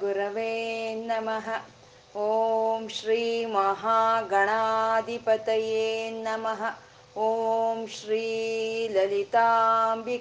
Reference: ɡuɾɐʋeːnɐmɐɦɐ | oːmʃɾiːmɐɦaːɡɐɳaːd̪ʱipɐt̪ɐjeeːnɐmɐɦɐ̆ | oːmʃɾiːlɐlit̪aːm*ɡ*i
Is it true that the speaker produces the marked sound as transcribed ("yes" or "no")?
no